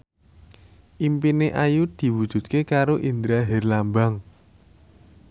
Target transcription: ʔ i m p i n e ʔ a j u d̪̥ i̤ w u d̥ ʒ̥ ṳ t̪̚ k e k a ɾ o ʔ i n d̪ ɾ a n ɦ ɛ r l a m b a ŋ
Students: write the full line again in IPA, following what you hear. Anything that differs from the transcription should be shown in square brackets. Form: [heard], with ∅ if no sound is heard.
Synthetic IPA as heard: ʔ i m p i n e ʔ a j u d̪̥ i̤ w u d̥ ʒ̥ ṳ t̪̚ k e k a ɾ o ʔ i n d̪ ɾ a [∅] ɦ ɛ r l a m b a ŋ